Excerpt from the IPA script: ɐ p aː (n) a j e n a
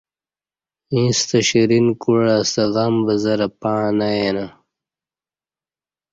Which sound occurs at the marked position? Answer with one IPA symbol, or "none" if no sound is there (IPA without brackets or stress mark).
n